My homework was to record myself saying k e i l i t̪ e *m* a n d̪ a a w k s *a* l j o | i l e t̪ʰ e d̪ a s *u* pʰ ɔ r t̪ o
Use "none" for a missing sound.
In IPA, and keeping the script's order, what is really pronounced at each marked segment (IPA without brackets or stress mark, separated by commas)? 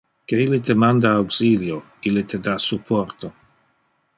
m, i, u